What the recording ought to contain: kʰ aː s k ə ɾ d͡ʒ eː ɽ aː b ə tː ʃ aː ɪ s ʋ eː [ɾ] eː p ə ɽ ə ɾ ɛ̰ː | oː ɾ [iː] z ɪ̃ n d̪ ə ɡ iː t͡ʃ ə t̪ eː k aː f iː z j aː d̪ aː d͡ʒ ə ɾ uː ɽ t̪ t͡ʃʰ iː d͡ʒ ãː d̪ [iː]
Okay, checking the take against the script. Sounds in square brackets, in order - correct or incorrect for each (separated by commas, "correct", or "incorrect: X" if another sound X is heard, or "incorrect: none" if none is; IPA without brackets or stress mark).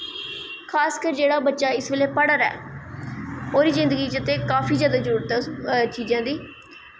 incorrect: l, correct, correct